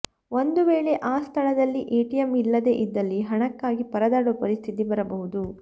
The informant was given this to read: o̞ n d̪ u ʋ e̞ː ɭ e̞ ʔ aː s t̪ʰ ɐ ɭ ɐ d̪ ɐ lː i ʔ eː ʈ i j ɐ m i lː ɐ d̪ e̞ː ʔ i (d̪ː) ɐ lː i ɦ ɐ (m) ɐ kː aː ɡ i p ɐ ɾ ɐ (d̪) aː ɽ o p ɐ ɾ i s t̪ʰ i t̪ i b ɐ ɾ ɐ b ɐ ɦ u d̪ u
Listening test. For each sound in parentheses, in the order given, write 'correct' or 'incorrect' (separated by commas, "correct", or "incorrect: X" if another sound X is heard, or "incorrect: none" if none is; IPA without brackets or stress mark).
correct, incorrect: ɳ, correct